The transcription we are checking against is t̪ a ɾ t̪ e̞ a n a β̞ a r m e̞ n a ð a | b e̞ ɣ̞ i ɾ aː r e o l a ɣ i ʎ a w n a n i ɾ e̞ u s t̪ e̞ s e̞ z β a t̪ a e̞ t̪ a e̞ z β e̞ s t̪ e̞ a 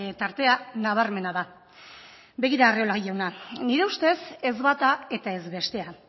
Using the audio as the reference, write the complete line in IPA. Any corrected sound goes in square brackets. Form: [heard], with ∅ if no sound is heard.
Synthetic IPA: t̪ a ɾ t̪ e̞ a n a β̞ a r m e̞ n a ð a | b e̞ ɣ̞ i ɾ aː r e o l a ɣ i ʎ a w n a n i ɾ e̞ u s t̪ e̞ s e̞ z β a t̪ a e̞ t̪ a e̞ z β e̞ s t̪ e̞ a

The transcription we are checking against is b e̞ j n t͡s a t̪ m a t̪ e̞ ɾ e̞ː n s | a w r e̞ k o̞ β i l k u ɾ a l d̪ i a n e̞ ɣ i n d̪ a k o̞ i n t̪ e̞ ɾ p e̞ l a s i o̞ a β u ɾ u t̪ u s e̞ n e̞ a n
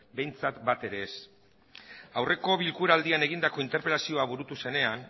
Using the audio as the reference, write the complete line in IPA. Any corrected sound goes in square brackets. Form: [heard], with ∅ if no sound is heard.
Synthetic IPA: b e̞ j n t͡s a t̪ [b] a t̪ e̞ ɾ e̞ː [∅] s | a w r e̞ k o̞ β i l k u ɾ a l d̪ i a n e̞ ɣ i n d̪ a k o̞ i n t̪ e̞ ɾ p e̞ l a s i o̞ a β u ɾ u t̪ u s e̞ n e̞ a n

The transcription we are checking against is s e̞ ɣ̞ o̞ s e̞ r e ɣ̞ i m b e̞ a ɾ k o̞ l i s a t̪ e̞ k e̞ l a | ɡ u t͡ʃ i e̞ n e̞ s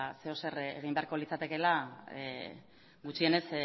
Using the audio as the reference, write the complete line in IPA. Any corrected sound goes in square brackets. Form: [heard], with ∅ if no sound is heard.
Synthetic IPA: s e̞ [∅] o̞ s e̞ r e ɣ̞ i m b e̞ a ɾ k o̞ l i [t͡s] a t̪ e̞ k e̞ l a | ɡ u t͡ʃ i e̞ n e̞ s

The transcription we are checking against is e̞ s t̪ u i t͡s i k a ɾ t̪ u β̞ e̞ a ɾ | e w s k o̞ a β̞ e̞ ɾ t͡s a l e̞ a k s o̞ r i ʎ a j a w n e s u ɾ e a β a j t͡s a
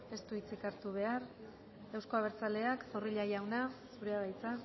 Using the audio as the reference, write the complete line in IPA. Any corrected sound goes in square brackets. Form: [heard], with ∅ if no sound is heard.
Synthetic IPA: e̞ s t̪ u i t͡s i k a ɾ t̪ u β̞ e̞ a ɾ | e w s k o̞ a β̞ e̞ ɾ t͡s a l e̞ a k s o̞ r i ʎ a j a w n [a] s u ɾ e a β a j t͡s a

